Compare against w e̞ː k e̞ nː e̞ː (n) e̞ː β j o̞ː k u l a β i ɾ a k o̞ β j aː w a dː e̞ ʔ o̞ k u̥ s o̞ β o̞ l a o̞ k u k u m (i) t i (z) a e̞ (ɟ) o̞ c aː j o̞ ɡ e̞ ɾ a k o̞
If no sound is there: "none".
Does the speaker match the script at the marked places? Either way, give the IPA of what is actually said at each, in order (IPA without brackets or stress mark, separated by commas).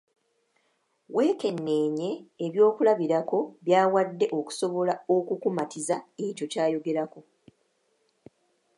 ɲ, a, z, c